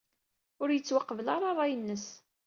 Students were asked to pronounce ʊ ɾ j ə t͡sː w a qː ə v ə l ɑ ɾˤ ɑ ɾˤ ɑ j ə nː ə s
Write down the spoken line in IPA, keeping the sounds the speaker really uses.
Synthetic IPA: ʊ ɾ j ə t͡sː w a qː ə v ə l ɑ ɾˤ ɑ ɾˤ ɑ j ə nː ə s